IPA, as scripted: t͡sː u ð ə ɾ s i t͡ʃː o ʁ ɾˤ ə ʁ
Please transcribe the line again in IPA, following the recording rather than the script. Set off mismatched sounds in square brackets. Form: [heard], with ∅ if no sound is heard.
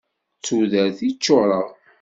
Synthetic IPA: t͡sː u ð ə ɾ [θ] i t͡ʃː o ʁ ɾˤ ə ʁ

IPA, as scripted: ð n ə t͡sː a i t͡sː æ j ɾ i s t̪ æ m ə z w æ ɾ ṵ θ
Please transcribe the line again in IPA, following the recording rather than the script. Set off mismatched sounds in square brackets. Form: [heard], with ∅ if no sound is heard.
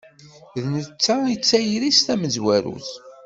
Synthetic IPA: ð n ə t͡sː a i t͡sː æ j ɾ i s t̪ æ m ə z w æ ɾ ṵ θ

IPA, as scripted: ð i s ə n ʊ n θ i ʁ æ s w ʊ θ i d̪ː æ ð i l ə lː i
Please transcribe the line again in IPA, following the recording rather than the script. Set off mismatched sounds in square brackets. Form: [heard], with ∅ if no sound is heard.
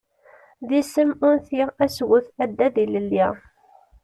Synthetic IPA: ð i s ə [m] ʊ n θ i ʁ æ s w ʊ θ [æ] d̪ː æ ð i l ə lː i

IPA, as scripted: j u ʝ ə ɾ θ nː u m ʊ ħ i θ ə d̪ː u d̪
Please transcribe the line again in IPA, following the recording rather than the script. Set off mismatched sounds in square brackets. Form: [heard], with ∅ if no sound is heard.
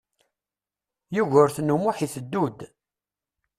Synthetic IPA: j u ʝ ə ɾ θ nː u m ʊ ħ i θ ə d̪ː u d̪

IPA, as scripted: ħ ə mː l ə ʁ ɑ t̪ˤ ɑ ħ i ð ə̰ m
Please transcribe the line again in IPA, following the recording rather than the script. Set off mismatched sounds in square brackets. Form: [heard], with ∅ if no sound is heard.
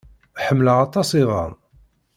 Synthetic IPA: ħ ə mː l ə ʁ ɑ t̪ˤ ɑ [s] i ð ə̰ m

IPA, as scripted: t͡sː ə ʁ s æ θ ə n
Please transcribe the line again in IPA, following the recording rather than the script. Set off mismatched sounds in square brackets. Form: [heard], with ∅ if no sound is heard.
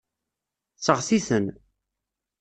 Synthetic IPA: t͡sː ə ʁ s [i] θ ə n

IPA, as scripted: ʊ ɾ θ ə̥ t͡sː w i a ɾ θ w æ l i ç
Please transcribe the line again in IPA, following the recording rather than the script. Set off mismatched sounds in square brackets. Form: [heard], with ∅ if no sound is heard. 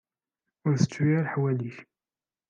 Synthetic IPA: ʊ ɾ θ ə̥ t͡sː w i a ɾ [ħ] w æ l i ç

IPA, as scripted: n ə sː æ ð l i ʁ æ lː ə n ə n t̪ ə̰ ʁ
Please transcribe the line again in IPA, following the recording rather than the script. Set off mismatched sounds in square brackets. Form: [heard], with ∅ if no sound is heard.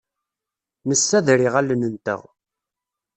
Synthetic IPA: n ə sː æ ð [ɾ] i ʁ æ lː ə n ə n t̪ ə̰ ʁ

